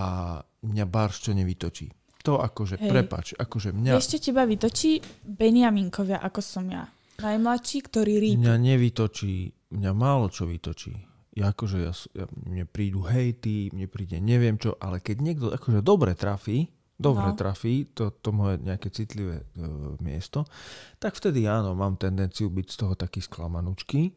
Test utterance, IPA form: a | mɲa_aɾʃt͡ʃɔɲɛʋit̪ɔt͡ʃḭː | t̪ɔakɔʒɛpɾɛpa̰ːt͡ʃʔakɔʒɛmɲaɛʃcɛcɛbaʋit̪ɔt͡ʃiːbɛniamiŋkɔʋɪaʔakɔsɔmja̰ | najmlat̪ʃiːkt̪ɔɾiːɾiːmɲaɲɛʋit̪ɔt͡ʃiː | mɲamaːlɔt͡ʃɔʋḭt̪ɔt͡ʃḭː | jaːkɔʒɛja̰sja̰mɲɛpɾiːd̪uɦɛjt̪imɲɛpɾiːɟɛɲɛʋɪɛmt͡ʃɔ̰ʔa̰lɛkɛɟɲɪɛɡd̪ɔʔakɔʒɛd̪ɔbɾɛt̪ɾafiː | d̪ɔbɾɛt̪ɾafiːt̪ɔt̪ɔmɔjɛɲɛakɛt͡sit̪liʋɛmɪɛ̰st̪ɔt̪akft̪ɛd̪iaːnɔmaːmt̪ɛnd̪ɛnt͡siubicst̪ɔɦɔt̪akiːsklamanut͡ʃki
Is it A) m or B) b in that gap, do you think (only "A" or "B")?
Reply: B